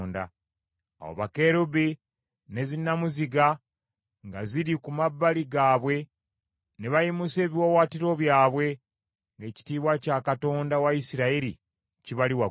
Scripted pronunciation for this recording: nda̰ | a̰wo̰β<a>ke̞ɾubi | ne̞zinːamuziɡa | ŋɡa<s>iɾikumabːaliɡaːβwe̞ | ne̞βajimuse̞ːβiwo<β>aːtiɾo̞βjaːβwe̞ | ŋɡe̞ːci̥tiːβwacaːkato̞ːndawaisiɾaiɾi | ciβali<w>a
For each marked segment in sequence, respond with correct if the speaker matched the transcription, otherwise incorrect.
correct, incorrect, incorrect, correct

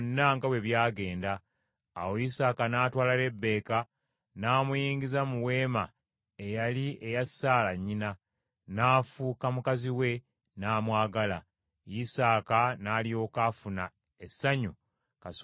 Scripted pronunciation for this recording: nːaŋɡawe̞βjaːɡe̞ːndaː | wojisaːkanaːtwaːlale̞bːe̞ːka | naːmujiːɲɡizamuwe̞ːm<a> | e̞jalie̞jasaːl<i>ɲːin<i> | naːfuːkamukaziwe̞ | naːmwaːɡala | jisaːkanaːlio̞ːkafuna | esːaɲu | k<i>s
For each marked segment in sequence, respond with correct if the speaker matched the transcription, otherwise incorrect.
correct, incorrect, incorrect, incorrect

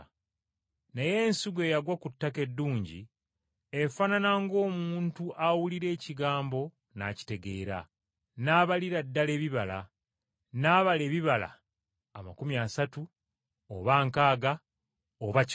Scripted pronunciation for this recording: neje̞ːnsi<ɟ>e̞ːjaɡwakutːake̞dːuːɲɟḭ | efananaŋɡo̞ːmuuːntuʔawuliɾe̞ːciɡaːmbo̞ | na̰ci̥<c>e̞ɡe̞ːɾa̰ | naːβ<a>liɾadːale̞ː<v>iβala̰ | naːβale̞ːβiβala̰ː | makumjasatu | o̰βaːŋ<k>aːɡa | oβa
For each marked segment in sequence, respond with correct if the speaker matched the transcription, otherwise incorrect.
incorrect, incorrect, correct, incorrect, correct

